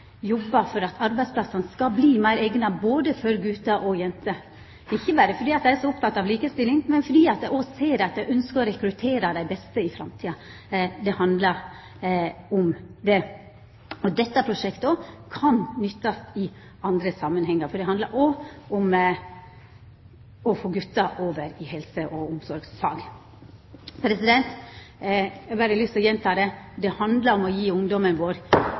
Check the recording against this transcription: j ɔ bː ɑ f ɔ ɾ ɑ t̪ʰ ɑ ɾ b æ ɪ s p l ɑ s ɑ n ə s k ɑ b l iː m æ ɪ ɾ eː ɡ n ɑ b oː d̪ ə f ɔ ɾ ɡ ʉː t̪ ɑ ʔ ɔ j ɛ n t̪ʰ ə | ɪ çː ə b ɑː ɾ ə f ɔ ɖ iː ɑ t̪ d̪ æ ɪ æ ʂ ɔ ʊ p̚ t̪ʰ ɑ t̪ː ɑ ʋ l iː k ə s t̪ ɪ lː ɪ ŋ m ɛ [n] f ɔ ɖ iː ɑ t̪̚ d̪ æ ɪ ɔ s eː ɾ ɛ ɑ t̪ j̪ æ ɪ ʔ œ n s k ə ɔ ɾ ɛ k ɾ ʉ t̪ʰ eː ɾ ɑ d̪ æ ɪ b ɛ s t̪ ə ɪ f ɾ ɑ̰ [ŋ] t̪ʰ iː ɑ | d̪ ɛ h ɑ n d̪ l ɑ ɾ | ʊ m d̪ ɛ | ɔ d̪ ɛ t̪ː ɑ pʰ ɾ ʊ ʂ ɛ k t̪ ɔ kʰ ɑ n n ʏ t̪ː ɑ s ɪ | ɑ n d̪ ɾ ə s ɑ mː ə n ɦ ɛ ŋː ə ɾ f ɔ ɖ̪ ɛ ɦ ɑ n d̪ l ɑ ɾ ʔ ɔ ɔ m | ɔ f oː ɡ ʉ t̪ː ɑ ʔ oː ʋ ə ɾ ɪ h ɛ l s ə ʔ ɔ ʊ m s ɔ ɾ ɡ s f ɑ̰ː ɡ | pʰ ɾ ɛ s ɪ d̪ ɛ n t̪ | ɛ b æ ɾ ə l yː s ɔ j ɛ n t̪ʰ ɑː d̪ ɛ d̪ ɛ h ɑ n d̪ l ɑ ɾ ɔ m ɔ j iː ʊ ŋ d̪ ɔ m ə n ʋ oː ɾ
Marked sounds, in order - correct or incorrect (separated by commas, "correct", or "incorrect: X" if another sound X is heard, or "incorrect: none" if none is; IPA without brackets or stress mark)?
correct, incorrect: m